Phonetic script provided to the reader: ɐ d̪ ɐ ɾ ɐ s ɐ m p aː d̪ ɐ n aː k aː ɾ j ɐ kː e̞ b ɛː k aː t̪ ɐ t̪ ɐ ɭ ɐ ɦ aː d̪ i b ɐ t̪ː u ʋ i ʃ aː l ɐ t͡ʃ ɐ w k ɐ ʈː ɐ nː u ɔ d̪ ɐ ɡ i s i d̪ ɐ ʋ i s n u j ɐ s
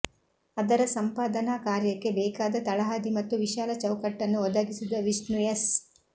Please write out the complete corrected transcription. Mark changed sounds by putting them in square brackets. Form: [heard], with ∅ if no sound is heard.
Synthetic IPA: ɐ d̪ ɐ ɾ ɐ s ɐ m p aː d̪ ɐ n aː k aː ɾ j ɐ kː e̞ b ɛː k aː [d̪] ɐ t̪ ɐ ɭ ɐ ɦ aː d̪ i [m] ɐ t̪ː u ʋ i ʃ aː l ɐ t͡ʃ ɐ w k ɐ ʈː ɐ nː u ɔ d̪ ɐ ɡ i s i d̪ ɐ ʋ i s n u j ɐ s

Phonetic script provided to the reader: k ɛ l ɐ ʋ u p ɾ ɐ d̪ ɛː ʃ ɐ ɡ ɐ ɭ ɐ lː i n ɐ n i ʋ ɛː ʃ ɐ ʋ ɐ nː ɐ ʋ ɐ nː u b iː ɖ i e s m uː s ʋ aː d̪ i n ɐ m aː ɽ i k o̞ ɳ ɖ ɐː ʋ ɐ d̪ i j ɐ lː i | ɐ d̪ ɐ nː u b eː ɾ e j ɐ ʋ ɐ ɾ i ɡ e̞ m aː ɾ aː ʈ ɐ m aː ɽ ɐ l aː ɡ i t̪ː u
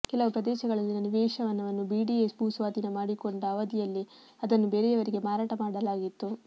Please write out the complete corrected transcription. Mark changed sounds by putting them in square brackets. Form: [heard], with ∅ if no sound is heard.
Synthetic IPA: k ɛ l ɐ ʋ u p ɾ ɐ d̪ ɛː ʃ ɐ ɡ ɐ ɭ ɐ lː i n ɐ n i ʋ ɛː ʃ ɐ ʋ ɐ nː ɐ ʋ ɐ nː u b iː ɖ i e s [b] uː s ʋ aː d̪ i n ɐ m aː ɽ i k o̞ ɳ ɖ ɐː ʋ ɐ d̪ i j ɐ lː i | ɐ d̪ ɐ nː u b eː ɾ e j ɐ ʋ ɐ ɾ i ɡ e̞ m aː ɾ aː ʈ ɐ m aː ɽ ɐ l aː ɡ i t̪ː u

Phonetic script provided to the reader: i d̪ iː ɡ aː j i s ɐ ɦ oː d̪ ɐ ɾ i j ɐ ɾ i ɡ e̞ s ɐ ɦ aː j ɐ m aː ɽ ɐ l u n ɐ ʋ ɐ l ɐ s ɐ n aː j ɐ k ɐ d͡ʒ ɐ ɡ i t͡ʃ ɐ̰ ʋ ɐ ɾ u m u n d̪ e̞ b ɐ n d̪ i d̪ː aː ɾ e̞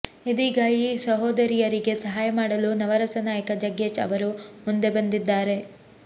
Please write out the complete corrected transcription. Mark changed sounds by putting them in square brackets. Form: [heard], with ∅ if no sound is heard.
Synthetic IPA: i d̪ iː ɡ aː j i s ɐ ɦ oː d̪ ɐ ɾ i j ɐ ɾ i ɡ e̞ s ɐ ɦ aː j ɐ m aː ɽ ɐ l u n ɐ ʋ ɐ [ɾ] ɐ s ɐ n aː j ɐ k ɐ d͡ʒ ɐ ɡ [e] t͡ʃ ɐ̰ ʋ ɐ ɾ u m u n d̪ e̞ b ɐ n d̪ i d̪ː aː ɾ e̞

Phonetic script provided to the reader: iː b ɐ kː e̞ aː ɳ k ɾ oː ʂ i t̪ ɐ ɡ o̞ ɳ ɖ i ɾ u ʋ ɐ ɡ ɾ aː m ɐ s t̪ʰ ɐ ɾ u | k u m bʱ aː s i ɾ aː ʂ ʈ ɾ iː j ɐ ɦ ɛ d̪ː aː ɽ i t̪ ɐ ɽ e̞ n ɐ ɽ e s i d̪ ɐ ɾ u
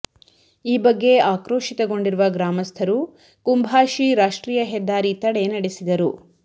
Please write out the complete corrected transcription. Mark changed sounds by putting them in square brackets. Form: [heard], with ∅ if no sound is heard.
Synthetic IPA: iː b ɐ [ɡː] e̞ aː [∅] k ɾ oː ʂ i t̪ ɐ ɡ o̞ ɳ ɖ i ɾ u ʋ ɐ ɡ ɾ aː m ɐ s t̪ʰ ɐ ɾ u | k u m bʱ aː [ʃ] i ɾ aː ʂ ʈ ɾ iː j ɐ ɦ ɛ d̪ː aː [ɾ] i t̪ ɐ ɽ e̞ n ɐ ɽ e s i d̪ ɐ ɾ u

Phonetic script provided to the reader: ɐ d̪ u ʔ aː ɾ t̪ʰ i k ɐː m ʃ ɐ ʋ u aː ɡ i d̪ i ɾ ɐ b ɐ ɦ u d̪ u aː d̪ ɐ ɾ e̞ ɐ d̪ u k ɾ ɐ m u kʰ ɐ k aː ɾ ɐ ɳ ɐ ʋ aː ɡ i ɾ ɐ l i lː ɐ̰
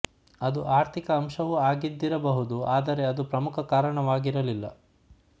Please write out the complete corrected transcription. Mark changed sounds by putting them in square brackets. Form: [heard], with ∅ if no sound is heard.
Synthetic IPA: ɐ d̪ u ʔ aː ɾ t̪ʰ i k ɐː m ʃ ɐ ʋ u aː ɡ i [d̪ː] i ɾ ɐ b ɐ ɦ u d̪ u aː d̪ ɐ ɾ e̞ ɐ d̪ u [p] ɾ ɐ m u kʰ ɐ k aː ɾ ɐ ɳ ɐ ʋ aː ɡ i ɾ ɐ l i lː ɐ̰

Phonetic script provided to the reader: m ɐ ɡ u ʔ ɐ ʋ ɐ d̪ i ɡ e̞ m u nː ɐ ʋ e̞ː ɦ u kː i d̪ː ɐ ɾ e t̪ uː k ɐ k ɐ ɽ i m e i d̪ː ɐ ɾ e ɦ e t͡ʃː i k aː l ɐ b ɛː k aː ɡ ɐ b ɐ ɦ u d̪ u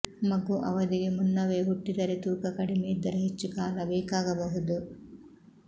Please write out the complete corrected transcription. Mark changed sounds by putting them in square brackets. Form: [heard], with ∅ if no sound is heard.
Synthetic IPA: m ɐ ɡ u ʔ ɐ ʋ ɐ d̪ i ɡ e̞ m u nː ɐ ʋ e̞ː ɦ u [ʈː] i [d̪] ɐ ɾ e t̪ uː k ɐ k ɐ ɽ i m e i d̪ː ɐ ɾ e ɦ e t͡ʃː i k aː l ɐ b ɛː k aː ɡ ɐ b ɐ ɦ u d̪ u

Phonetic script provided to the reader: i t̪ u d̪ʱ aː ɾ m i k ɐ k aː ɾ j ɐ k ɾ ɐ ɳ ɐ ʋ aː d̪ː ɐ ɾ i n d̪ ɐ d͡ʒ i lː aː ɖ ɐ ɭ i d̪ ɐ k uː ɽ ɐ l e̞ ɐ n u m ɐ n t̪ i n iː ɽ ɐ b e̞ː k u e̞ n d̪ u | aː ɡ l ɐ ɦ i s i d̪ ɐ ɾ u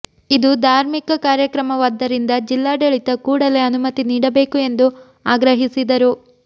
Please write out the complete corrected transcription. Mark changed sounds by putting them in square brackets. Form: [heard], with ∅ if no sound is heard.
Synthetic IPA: i [d̪] u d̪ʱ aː ɾ m i k ɐ k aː ɾ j ɐ k ɾ ɐ [m] ɐ ʋ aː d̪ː ɐ ɾ i n d̪ ɐ d͡ʒ i lː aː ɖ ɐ ɭ i [t̪] ɐ k uː ɽ ɐ l e̞ ɐ n u m ɐ [∅] t̪ i n iː ɽ ɐ b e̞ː k u e̞ n d̪ u | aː ɡ [ɾ] ɐ ɦ i s i d̪ ɐ ɾ u

